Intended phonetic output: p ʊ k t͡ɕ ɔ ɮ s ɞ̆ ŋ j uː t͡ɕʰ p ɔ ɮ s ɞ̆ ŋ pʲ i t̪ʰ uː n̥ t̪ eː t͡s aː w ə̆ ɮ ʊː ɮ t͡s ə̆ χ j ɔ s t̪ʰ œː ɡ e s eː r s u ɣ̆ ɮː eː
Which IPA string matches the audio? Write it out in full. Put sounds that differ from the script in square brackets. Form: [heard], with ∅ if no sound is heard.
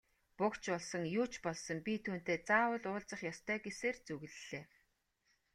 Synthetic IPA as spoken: p ʊ k t͡ɕ ɔ ɮ s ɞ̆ ŋ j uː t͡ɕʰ p ɔ ɮ s ɞ̆ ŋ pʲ i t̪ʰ uː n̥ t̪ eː t͡s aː w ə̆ ɮ ʊː ɮ t͡s ə̆ χ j ɔ s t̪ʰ œː ɡ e s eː r [t͡s] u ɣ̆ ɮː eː